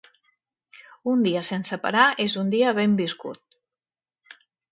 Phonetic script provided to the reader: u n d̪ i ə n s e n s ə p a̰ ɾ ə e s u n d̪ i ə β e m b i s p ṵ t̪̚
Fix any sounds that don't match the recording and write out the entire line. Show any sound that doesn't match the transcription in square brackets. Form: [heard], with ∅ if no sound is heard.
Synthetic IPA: u n d̪ i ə [∅] s e n s ə p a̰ ɾ [a] e [z] u n d̪ i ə β e m b i s [k] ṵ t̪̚